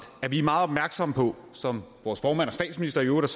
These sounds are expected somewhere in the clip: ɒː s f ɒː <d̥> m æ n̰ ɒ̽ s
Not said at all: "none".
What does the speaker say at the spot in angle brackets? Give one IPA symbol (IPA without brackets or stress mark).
none